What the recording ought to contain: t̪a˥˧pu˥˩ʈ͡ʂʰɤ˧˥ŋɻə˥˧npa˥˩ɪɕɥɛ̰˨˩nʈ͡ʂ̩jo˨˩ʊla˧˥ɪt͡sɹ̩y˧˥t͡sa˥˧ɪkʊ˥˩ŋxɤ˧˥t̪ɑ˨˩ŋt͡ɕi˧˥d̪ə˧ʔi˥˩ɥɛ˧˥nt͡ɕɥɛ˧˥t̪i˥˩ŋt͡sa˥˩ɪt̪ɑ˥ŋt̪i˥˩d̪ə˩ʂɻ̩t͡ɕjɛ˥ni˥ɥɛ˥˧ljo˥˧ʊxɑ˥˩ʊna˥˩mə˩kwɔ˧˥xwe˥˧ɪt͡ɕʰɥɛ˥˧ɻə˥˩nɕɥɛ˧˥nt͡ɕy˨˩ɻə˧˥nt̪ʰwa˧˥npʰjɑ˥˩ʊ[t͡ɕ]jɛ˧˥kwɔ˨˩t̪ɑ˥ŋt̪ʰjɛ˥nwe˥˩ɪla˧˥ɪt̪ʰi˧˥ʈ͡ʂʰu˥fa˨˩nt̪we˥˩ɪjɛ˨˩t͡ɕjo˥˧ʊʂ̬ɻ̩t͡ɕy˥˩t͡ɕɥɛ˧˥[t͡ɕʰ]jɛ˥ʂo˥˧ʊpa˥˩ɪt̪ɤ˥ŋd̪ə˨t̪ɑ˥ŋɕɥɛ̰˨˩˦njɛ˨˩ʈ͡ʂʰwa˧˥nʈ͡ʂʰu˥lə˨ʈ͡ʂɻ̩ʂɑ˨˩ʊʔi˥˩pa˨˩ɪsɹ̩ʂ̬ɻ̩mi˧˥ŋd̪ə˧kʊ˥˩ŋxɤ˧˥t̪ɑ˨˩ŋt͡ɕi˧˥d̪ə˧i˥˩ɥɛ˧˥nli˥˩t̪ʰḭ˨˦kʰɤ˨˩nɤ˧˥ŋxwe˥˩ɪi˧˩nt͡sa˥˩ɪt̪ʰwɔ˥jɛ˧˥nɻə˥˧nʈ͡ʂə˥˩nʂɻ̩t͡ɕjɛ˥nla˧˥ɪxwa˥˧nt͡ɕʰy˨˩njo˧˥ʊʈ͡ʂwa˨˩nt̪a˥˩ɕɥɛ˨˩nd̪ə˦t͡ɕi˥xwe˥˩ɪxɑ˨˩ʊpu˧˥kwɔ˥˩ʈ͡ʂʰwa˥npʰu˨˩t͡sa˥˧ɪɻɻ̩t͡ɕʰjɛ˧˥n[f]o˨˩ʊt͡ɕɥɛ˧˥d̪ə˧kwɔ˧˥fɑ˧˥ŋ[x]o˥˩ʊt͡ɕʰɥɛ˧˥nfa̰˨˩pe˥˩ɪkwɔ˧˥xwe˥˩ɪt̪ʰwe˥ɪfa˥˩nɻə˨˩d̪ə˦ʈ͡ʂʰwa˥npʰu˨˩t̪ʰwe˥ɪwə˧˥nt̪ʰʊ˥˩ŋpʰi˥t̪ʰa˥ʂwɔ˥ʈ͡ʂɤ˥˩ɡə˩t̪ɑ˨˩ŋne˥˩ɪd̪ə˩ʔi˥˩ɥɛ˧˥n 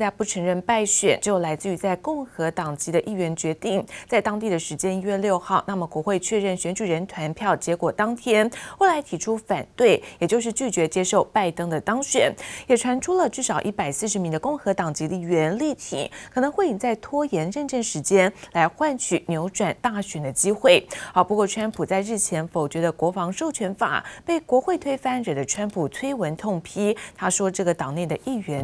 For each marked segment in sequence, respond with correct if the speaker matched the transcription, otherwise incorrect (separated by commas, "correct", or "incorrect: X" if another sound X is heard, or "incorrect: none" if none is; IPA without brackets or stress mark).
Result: correct, incorrect: t͡ɕ, correct, incorrect: ʂ